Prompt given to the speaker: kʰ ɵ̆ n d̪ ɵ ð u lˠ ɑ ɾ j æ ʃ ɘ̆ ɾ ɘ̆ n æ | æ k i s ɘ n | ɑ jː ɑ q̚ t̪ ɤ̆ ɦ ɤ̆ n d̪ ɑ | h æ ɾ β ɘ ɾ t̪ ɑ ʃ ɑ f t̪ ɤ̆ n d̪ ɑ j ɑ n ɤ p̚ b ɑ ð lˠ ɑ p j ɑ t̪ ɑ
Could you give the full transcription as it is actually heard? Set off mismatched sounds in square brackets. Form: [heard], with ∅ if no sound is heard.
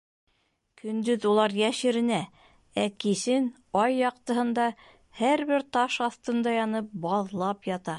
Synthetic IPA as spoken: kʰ ɵ̆ n d̪ ɵ ð u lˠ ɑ ɾ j æ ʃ ɘ̆ ɾ ɘ̆ n æ | æ k i s ɘ n | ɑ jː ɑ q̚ t̪ ɤ̆ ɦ ɤ̆ n d̪ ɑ | h æ ɾ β ɘ ɾ t̪ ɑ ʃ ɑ [θ] t̪ ɤ̆ n d̪ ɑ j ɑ n ɤ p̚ b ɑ ð lˠ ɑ p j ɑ t̪ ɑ